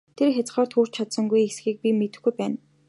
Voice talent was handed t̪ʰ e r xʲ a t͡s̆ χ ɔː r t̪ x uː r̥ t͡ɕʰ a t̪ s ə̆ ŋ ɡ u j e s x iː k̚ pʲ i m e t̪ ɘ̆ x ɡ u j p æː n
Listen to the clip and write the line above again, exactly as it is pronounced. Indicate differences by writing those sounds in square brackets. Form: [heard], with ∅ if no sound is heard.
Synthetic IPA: t̪ʰ e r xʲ a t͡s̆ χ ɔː r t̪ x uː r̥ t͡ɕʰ a t̪ s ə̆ ŋ ɡ u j e s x iː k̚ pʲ i m e t̪ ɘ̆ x ɡ u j p æː n